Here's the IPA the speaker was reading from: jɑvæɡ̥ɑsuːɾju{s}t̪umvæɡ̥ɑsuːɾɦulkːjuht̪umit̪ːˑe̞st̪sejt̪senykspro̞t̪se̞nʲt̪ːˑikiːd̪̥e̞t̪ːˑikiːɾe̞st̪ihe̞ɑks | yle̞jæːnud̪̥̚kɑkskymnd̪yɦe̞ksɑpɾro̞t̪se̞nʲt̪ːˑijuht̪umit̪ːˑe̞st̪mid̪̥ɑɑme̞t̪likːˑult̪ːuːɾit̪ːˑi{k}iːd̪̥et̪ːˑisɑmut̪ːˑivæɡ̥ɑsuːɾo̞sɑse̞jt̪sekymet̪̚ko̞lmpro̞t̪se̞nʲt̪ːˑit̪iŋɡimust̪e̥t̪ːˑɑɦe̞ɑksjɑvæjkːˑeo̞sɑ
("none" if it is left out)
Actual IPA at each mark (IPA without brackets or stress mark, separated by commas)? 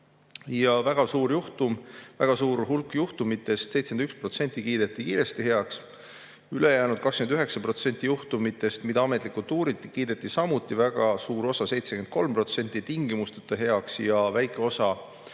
h, k